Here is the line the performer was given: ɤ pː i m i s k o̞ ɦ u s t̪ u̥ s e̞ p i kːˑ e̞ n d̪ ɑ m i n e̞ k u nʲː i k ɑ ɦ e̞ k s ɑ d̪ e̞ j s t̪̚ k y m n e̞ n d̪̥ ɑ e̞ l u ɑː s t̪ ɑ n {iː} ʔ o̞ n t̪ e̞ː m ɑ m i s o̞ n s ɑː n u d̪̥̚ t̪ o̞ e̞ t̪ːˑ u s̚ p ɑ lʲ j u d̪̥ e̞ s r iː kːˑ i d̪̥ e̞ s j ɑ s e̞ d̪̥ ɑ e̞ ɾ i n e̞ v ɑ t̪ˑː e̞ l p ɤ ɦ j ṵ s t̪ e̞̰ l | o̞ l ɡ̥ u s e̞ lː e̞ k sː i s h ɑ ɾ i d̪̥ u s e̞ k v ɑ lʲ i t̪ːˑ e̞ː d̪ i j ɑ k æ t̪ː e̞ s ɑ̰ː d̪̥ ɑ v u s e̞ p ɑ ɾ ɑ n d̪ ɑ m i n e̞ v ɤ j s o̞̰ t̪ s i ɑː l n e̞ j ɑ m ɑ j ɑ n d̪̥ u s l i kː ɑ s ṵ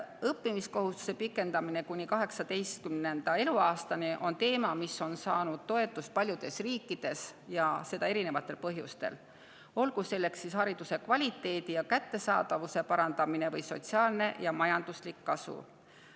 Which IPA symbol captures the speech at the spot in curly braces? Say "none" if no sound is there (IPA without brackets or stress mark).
i